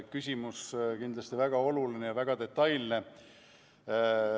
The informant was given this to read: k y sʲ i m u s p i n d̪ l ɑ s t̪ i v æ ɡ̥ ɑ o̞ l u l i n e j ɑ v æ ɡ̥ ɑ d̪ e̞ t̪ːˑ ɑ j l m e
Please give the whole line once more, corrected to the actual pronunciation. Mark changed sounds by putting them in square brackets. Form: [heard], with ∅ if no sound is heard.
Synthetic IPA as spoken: k y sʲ i m u s [k] i n d̪ l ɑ s t̪ i v æ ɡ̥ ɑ o̞ l u l i n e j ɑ v æ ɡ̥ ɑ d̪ e̞ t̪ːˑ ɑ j l [n] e

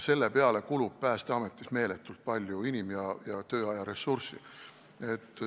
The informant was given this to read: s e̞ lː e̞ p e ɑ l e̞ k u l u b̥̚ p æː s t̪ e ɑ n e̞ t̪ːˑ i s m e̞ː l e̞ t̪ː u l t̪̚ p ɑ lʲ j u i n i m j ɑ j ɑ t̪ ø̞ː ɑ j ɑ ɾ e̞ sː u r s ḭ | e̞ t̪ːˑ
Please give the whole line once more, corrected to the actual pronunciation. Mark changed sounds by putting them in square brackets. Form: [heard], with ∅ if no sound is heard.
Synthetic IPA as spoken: s e̞ lː e̞ p e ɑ l e̞ k u l u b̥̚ p æː s t̪ e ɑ [m] e̞ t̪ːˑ i s m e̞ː l e̞ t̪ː u l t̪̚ p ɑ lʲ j u i n i m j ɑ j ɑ t̪ ø̞ː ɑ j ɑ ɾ e̞ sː u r s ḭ | e̞ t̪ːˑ

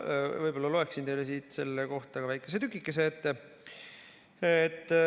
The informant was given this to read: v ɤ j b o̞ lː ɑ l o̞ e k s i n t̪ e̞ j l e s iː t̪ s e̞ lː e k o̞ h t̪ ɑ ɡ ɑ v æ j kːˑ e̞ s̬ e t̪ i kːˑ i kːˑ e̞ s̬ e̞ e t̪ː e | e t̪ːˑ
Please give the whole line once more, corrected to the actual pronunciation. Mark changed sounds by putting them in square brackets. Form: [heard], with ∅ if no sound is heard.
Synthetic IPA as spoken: v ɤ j b o̞ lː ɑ l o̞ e k s i n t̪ e̞ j l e s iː t̪ s e̞ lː e k o̞ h t̪ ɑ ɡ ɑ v æ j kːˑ e̞ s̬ e t̪ [y] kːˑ i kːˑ e̞ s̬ e̞ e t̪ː e | e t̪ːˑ

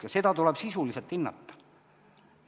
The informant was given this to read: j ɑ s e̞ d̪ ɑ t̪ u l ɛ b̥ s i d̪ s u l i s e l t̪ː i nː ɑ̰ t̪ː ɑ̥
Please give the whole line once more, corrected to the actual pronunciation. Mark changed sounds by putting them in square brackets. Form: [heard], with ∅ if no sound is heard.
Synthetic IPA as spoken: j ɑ s e̞ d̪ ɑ t̪ u l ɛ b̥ s i [∅] s u l i s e l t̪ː i nː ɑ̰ t̪ː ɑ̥

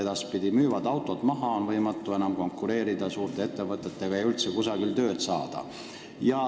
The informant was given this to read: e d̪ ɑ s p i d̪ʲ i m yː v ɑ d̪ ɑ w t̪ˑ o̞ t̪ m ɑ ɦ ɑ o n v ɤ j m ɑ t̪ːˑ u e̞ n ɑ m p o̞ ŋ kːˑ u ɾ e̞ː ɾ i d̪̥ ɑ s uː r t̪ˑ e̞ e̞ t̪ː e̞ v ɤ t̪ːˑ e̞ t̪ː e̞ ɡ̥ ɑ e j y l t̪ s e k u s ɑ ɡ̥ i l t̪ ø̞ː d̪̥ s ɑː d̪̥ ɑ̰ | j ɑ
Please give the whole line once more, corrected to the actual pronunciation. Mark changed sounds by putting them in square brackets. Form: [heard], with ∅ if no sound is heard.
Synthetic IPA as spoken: e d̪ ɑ s p i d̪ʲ i m yː v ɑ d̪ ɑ w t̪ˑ o̞ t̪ m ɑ ɦ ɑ o n v ɤ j m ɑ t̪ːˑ u e̞ n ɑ m [k] o̞ ŋ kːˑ u ɾ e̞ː ɾ i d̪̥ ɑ s uː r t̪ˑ e̞ e̞ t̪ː e̞ v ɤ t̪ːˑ e̞ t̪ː e̞ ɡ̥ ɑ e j y l t̪ s e k u s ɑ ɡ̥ i l t̪ ø̞ː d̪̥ s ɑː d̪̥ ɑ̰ | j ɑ

